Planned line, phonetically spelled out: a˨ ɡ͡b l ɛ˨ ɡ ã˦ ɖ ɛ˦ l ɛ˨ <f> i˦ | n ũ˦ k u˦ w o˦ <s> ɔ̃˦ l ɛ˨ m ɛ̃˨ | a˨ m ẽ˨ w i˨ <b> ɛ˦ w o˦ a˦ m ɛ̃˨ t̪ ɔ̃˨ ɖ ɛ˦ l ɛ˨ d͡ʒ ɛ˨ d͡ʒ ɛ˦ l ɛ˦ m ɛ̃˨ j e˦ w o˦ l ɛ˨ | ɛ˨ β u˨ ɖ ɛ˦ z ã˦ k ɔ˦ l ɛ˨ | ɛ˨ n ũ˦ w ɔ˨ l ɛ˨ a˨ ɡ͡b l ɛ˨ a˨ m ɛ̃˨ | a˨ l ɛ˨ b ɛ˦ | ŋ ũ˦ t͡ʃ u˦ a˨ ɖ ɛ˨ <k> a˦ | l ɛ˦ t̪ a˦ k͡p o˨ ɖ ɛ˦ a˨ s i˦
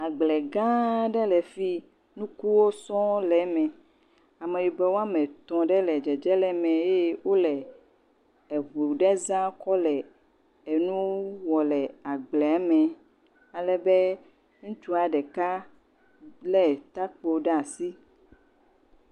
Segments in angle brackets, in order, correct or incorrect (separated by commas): correct, correct, correct, correct